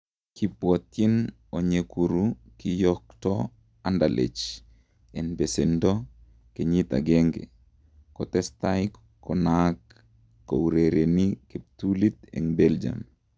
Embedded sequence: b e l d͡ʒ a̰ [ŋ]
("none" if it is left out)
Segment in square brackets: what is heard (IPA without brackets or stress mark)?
m